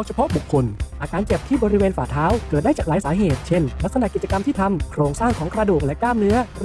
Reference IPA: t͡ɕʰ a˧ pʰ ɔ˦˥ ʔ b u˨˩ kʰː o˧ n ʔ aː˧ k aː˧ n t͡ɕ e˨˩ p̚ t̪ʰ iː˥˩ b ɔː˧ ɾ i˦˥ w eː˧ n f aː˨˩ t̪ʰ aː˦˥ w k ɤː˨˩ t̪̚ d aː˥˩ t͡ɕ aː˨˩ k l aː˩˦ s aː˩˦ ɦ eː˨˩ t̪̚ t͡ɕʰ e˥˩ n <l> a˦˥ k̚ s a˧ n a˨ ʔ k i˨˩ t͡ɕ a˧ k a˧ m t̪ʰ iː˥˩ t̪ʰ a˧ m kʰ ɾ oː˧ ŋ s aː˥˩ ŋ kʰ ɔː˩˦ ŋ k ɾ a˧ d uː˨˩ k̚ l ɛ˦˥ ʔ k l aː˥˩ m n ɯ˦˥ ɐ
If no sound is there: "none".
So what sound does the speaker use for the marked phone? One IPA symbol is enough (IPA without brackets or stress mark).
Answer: l